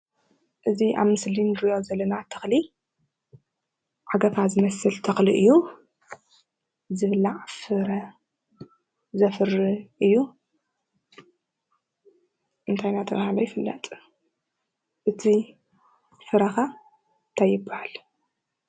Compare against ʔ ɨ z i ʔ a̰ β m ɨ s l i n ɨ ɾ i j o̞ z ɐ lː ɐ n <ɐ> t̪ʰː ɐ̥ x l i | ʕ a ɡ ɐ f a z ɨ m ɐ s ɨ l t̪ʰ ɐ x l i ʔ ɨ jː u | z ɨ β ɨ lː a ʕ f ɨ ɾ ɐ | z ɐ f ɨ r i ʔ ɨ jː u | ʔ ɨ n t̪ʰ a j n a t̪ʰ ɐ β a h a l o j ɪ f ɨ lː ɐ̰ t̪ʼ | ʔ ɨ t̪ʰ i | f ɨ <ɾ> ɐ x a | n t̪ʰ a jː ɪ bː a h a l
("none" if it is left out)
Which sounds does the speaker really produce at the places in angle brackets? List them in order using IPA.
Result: a, ɾ

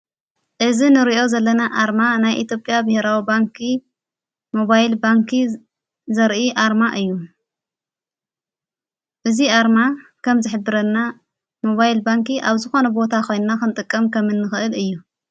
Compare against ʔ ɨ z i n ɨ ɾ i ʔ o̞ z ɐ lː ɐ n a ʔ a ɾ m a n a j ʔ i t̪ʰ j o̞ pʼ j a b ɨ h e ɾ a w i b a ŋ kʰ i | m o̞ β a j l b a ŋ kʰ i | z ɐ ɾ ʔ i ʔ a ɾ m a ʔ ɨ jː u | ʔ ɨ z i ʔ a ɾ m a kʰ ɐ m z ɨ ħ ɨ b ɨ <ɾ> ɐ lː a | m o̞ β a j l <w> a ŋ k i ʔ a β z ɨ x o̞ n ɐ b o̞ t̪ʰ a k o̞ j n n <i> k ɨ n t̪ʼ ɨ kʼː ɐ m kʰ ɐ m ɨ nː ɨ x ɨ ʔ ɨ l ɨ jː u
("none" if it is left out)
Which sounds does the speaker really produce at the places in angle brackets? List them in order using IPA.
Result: ɾ, b, a

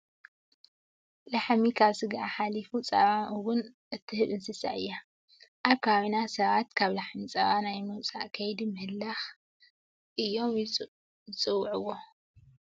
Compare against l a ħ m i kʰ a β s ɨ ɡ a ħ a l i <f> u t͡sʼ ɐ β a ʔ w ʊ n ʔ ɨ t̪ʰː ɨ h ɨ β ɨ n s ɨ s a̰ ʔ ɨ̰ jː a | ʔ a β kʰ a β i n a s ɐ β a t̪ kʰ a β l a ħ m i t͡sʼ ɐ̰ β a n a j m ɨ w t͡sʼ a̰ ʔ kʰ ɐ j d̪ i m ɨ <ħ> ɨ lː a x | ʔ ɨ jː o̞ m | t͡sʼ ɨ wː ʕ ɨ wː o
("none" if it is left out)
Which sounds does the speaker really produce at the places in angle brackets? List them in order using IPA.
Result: f, h

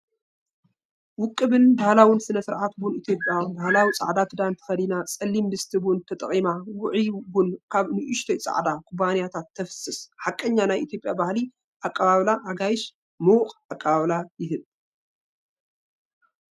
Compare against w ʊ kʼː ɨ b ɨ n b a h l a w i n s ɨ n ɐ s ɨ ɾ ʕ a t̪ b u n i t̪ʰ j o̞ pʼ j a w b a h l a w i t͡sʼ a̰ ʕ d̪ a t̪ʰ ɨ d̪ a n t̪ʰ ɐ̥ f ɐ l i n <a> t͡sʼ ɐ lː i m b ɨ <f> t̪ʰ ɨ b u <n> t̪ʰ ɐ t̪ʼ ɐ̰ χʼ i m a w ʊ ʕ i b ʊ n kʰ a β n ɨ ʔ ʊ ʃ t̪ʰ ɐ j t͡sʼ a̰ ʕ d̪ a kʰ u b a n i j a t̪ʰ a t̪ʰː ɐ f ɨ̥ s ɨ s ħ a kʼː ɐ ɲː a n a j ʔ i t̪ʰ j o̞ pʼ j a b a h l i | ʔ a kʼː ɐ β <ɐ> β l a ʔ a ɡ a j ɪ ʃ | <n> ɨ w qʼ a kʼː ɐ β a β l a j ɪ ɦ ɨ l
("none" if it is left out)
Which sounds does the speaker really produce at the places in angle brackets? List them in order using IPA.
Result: a, s, n, a, m

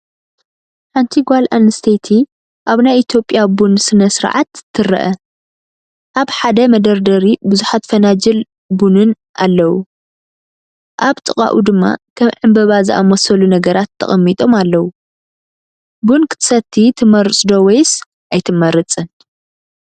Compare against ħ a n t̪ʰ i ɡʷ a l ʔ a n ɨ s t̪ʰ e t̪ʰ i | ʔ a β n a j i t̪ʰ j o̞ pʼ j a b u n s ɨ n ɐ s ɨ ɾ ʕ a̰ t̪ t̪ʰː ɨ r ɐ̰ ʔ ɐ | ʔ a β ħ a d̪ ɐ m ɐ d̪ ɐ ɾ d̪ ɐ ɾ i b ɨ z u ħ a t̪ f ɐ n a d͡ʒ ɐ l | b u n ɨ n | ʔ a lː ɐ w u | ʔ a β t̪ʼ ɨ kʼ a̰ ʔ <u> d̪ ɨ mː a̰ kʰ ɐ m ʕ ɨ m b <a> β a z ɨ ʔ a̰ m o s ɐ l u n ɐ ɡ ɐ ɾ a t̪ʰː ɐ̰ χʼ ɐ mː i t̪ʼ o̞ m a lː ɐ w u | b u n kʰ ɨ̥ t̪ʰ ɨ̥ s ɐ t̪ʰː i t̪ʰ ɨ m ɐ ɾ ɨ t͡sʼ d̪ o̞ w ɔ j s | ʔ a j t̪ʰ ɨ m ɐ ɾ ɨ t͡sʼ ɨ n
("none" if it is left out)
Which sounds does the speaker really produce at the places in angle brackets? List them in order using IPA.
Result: u, ɐ

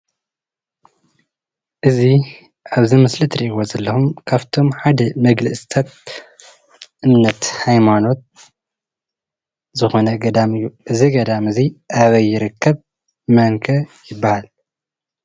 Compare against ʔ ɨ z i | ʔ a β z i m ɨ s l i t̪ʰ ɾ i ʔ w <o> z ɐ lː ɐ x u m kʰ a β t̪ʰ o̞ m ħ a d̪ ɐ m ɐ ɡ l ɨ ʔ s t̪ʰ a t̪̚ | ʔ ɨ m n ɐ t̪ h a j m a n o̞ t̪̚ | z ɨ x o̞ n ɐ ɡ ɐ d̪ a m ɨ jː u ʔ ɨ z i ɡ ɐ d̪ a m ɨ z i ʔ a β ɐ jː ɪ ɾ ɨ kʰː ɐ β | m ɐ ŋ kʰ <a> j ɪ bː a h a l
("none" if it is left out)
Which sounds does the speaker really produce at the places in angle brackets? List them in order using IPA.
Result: o, ɐ

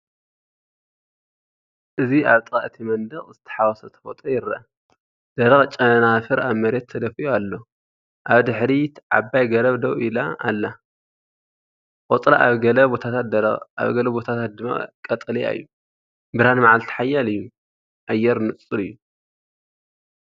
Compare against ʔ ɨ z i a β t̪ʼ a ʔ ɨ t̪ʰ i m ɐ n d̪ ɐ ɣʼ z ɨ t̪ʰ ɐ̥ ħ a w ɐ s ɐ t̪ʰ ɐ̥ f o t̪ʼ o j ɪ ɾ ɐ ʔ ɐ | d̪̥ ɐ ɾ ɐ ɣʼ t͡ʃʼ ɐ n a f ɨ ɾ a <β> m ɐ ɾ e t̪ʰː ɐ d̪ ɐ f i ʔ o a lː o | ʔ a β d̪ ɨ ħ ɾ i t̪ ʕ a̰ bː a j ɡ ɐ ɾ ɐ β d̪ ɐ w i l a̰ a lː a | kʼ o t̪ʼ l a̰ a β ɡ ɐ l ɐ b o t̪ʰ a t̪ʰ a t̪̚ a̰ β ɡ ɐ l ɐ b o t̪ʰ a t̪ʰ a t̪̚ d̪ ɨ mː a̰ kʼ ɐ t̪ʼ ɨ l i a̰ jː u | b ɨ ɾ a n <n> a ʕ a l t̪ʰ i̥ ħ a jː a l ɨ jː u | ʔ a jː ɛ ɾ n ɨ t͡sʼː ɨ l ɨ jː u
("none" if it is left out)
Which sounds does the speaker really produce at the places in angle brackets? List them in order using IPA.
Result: β, m

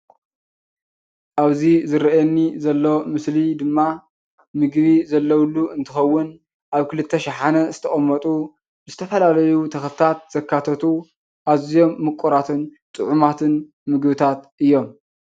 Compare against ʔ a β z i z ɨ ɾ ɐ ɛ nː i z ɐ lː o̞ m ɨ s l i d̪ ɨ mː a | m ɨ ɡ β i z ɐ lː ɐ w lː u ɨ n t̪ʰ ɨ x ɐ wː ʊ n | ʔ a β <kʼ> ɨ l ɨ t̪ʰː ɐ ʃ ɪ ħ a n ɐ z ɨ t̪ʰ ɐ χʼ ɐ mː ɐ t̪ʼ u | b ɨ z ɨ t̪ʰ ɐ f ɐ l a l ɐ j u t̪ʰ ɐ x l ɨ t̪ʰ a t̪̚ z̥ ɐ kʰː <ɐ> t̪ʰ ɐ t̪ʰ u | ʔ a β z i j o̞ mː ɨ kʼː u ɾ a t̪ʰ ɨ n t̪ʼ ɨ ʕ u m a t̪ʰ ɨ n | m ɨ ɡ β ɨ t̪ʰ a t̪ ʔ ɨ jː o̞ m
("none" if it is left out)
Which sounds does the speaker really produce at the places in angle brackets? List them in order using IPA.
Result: k, a

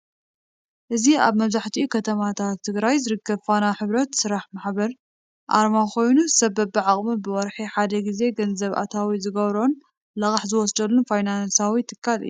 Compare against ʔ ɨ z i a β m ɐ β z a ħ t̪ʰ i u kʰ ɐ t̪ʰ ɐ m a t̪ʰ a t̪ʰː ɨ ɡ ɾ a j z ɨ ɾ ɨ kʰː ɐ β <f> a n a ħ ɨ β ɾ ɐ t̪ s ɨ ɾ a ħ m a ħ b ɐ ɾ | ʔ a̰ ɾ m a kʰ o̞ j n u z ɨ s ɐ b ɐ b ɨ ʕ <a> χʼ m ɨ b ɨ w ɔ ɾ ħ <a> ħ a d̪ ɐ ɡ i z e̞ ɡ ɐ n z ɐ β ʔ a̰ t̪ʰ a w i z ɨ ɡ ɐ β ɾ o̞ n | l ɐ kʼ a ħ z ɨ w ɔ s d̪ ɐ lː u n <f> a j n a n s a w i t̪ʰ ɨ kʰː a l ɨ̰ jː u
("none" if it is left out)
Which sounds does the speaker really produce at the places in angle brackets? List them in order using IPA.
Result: f, a, i, f

